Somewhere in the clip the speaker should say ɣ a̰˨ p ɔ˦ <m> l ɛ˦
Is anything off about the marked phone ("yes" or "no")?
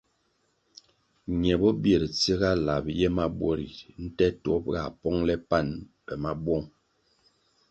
yes